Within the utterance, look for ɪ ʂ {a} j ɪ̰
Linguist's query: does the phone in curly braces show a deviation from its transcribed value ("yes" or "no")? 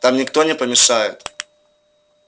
no